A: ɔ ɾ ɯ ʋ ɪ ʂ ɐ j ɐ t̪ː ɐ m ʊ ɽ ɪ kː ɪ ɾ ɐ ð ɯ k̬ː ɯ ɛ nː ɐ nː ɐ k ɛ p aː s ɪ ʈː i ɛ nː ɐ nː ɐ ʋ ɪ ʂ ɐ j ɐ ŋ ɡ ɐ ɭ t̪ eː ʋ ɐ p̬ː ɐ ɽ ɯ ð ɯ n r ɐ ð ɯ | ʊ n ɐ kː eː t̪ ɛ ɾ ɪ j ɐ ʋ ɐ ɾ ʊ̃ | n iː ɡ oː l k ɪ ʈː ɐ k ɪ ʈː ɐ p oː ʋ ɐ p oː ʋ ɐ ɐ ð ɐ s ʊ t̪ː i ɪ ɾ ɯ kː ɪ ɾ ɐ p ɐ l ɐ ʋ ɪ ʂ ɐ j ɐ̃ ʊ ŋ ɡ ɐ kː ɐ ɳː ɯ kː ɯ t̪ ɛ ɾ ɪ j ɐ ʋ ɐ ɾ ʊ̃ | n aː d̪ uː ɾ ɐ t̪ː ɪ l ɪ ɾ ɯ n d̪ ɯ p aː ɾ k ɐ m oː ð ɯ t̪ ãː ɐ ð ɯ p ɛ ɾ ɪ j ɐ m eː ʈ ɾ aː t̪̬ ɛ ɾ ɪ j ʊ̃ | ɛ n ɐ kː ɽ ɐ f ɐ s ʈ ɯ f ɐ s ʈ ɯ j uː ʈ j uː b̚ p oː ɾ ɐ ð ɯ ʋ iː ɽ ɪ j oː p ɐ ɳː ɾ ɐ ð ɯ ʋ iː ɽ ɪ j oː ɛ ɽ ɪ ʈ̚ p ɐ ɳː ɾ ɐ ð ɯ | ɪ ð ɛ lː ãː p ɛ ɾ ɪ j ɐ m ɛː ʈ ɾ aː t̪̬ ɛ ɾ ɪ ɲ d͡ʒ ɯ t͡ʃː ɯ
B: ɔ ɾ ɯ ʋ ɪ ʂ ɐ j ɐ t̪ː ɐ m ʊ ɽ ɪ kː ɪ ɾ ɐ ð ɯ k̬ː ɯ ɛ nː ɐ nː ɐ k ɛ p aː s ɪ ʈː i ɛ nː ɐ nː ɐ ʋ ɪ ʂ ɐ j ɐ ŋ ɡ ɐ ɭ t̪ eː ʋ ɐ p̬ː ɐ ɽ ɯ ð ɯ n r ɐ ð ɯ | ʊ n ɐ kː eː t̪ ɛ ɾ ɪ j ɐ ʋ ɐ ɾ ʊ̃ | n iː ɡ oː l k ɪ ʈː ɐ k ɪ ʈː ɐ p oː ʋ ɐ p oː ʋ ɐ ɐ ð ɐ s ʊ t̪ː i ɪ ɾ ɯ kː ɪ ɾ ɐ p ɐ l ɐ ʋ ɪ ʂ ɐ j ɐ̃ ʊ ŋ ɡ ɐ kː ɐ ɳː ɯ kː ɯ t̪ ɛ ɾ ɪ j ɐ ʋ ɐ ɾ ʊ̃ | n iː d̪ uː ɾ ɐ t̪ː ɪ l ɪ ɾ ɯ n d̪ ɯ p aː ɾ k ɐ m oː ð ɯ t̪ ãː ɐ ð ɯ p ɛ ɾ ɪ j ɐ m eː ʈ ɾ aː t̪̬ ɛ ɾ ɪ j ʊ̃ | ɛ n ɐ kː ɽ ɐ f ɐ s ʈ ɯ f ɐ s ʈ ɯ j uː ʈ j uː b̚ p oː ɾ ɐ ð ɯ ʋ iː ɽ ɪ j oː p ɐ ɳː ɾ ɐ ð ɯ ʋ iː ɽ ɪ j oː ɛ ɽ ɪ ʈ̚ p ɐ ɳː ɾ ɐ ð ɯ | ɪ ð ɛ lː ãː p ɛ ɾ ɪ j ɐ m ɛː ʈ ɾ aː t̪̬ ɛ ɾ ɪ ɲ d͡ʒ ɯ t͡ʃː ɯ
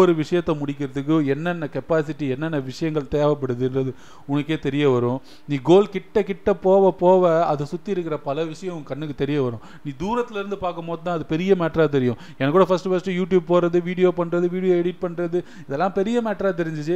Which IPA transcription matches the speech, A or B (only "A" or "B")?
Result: B